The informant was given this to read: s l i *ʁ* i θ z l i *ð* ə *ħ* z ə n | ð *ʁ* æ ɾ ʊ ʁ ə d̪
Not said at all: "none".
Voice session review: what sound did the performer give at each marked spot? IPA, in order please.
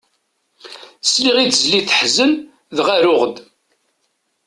ʁ, θ, ħ, ʁ

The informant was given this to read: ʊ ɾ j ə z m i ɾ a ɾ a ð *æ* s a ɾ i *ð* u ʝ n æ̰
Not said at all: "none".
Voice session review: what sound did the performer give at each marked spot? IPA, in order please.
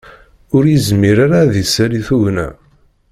i, θ

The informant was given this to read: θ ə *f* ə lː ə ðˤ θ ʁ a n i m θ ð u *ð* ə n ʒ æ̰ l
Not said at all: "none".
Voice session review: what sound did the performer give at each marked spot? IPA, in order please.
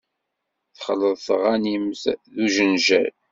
χ, ʒ

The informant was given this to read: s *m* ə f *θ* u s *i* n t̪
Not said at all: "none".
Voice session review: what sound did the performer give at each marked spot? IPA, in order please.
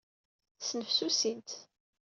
n, s, i

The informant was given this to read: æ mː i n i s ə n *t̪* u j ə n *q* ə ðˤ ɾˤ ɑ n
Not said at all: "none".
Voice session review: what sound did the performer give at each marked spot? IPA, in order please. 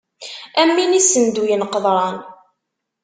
d̪, q

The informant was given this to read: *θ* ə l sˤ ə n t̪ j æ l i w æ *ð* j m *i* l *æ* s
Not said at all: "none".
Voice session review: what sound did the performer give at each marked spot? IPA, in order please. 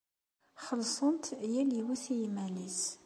χ, θ, æ, i

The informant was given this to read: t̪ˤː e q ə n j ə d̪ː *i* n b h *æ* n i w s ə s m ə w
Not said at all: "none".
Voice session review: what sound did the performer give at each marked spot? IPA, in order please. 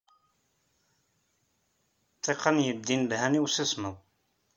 i, æ

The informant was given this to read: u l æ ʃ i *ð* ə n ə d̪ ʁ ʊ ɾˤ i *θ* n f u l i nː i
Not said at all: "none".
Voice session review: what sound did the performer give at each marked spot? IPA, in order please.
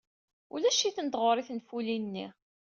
θ, θ

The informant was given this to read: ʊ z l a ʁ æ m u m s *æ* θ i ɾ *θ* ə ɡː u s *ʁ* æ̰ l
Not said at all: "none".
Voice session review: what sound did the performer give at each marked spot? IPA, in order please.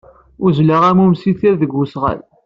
i, ð, ʁ

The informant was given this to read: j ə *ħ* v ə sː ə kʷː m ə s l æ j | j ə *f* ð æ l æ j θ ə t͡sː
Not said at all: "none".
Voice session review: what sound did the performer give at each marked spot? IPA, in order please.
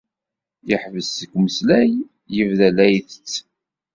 ħ, v

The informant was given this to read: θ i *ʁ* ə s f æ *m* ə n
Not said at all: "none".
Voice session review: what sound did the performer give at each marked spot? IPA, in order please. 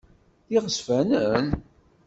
ʁ, n

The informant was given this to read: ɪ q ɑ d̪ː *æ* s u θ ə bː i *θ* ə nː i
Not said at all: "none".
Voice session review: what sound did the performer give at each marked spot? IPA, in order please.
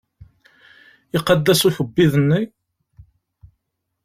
æ, ð

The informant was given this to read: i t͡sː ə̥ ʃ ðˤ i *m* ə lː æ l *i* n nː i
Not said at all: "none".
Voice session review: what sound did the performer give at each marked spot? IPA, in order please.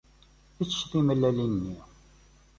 m, i

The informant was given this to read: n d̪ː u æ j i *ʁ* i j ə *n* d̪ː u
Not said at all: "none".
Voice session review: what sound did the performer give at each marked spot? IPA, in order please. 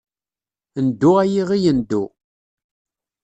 ʁ, n

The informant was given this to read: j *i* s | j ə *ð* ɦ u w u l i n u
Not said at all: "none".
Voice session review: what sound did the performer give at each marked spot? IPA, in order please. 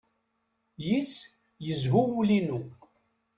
i, z

